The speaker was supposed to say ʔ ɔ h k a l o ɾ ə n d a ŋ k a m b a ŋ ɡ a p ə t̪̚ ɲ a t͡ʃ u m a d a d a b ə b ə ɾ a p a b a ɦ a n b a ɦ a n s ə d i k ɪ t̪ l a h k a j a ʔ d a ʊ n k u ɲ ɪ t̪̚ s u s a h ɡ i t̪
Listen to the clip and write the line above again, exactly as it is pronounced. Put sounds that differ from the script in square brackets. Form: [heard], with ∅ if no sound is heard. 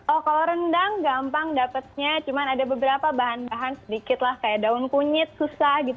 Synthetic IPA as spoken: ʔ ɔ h k a l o ɾ ə n d a ŋ [ɡ] a m [p] a ŋ [d] a p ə t̪̚ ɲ a t͡ʃ u m a [n] a d a b ə b ə ɾ a p a b a ɦ a n b a ɦ a n s ə d i k ɪ t̪ l a h k a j a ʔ d a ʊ n k u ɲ ɪ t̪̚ s u s a h ɡ i t̪